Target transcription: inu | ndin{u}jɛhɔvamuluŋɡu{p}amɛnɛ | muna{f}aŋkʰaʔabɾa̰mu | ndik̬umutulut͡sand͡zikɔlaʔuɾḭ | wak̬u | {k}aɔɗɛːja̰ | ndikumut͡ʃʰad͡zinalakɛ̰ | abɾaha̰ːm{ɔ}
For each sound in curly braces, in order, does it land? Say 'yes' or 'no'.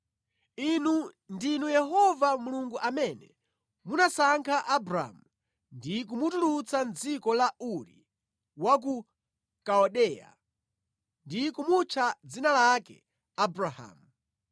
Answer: yes, no, no, yes, no

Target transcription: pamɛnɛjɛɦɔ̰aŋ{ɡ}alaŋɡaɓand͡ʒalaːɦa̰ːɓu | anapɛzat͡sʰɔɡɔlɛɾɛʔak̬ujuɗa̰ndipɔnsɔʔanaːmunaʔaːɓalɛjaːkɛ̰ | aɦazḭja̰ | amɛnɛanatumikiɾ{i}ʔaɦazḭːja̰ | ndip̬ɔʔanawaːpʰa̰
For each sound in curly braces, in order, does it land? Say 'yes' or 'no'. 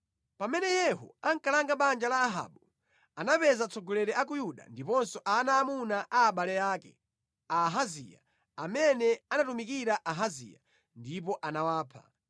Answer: no, no

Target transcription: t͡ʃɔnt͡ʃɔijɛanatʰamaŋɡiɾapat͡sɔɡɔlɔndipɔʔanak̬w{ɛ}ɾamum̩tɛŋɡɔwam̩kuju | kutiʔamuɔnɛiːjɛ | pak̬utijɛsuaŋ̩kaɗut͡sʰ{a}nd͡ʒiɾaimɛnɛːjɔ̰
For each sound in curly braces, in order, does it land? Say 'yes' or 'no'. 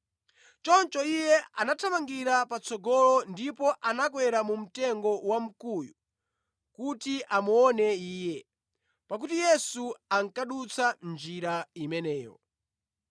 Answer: yes, yes

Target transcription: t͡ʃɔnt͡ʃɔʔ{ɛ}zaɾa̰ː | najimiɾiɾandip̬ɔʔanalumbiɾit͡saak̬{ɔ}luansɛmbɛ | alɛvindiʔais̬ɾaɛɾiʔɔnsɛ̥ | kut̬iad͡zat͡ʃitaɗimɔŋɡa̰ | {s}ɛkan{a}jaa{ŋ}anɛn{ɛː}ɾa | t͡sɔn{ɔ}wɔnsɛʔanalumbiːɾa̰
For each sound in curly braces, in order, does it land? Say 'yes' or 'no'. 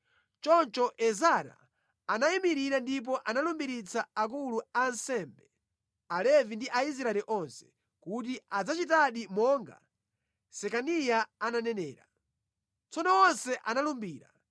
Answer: yes, no, yes, no, no, yes, yes

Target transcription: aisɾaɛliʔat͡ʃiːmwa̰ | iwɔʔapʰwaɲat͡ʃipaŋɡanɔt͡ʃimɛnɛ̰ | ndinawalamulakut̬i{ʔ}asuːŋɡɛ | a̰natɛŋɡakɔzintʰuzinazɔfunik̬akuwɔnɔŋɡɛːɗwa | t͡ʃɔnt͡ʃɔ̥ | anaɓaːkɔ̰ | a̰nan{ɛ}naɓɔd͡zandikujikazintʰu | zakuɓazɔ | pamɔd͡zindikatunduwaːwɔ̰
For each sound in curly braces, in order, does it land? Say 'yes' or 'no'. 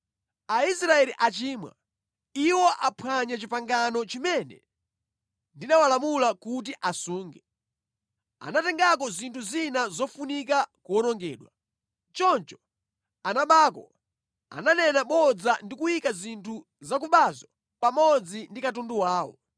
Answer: yes, yes

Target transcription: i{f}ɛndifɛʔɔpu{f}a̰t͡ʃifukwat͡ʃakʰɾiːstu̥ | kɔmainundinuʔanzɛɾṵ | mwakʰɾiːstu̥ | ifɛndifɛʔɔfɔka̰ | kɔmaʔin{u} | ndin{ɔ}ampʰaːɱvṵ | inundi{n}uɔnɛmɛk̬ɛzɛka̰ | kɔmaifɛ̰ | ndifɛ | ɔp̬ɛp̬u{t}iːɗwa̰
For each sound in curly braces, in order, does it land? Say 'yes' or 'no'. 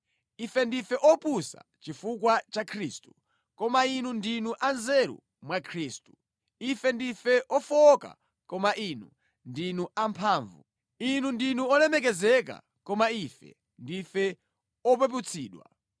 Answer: yes, no, yes, no, yes, no

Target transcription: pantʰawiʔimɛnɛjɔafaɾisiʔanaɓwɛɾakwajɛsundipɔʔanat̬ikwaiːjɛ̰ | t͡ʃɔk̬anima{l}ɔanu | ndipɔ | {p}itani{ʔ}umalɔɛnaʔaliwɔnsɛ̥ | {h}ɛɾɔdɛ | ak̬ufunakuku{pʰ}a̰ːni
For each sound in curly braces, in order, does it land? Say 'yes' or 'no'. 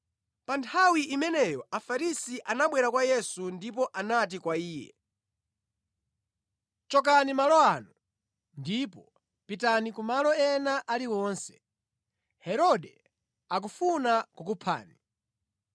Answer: yes, yes, no, yes, yes

